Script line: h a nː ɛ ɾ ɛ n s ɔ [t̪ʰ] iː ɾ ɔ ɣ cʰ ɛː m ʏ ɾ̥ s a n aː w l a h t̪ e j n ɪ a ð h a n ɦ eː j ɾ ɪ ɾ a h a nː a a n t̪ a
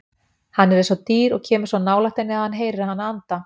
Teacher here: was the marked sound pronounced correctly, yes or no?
no